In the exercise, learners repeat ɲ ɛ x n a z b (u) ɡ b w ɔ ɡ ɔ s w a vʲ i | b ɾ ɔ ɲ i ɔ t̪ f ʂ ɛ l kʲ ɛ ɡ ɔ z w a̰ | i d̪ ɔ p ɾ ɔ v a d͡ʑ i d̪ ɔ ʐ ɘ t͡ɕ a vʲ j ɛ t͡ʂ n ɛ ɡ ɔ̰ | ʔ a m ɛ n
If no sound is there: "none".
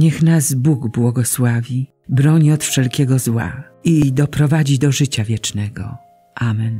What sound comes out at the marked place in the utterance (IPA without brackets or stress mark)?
u